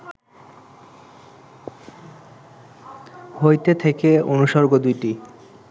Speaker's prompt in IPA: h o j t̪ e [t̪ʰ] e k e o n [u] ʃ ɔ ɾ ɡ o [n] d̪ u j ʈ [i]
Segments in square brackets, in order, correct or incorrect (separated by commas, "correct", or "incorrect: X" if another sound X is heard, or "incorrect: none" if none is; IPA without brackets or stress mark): correct, correct, incorrect: none, correct